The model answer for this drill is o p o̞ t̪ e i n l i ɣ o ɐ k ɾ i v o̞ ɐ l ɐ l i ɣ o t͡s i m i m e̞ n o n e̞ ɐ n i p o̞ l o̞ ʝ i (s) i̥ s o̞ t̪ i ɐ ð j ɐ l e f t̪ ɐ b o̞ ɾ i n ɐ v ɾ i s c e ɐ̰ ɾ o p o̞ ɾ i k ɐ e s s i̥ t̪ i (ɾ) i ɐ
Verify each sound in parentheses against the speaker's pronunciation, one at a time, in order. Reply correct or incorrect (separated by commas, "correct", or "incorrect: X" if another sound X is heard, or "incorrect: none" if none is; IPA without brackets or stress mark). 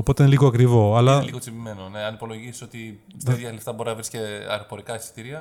correct, correct